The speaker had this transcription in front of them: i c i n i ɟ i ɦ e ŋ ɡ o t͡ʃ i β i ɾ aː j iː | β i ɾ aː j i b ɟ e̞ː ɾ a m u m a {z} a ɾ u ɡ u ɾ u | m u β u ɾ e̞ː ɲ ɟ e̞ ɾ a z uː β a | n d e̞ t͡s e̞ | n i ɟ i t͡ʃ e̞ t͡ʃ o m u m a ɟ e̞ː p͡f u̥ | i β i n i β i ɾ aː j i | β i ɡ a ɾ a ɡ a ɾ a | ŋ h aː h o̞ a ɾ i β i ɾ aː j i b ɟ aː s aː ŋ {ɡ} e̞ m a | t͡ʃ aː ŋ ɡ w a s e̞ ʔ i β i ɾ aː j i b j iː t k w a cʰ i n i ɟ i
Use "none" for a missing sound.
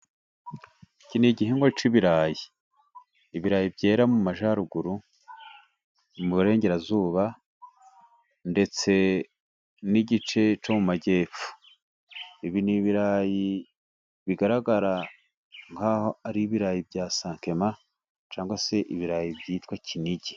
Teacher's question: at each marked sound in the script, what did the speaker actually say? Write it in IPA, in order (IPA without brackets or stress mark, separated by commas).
ʒ, k